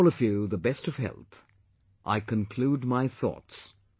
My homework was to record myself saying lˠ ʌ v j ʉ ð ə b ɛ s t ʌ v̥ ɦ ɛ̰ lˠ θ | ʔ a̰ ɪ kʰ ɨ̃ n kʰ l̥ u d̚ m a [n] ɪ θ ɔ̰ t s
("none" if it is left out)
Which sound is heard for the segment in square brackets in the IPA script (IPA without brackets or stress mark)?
none